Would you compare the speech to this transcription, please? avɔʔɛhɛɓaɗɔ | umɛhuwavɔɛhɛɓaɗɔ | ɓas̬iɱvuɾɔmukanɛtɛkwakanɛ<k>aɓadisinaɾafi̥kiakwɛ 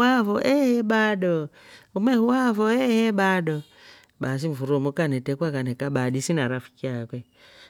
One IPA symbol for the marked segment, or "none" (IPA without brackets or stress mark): k